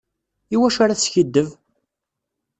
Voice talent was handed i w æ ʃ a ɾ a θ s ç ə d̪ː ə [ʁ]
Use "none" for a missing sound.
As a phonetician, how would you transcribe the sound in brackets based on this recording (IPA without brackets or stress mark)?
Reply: v